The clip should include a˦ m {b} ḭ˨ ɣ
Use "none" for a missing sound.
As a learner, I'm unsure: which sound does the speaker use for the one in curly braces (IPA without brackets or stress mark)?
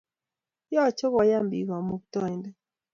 b